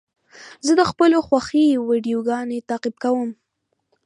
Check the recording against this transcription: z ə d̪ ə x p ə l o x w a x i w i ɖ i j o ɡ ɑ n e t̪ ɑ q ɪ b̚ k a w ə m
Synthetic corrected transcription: z ə d̪ ə x p ə l o x w a x i w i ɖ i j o ɡ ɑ n e t̪ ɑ q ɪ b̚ k a w ə m